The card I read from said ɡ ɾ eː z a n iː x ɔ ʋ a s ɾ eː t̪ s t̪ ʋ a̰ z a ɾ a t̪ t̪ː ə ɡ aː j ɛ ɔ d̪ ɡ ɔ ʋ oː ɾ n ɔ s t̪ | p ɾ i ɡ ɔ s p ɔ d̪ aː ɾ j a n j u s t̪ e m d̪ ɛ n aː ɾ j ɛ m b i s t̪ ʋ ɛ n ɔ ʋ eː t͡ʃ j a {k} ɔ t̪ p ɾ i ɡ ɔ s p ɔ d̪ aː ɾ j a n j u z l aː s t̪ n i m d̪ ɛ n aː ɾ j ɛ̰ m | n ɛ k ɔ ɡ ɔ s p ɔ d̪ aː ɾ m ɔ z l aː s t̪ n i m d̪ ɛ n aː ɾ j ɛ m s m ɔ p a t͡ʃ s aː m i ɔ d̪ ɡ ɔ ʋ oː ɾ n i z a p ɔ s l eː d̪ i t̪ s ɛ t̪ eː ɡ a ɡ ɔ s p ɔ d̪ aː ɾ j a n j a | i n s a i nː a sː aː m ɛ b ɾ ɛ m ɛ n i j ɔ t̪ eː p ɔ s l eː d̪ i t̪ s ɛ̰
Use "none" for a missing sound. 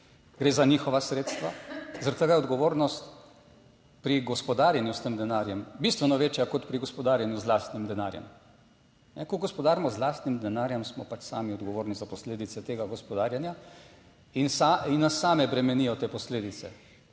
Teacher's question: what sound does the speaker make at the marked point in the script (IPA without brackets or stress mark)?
k